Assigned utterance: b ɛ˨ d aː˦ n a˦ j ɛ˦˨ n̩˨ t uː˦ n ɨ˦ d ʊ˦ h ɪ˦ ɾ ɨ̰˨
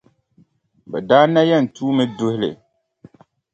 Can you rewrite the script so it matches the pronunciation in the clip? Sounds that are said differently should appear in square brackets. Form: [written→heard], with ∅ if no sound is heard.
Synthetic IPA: b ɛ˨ d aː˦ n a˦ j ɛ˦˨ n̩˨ t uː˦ [n→m] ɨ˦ d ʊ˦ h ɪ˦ [ɾ→l] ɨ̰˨